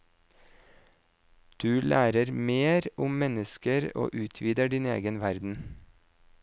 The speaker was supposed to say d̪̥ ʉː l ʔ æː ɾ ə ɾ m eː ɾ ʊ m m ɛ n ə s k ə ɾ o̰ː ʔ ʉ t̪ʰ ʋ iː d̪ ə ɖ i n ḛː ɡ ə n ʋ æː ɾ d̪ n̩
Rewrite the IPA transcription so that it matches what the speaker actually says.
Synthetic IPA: d̪̥ ʉː l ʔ æː ɾ ə ɾ m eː ɾ ʊ m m ɛ n ə s k ə ɾ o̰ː ʔ ʉː t̪ʰ ʋ iː d̪ ə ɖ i n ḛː ɡ ə n ʋ æ ɾ d̪ n̩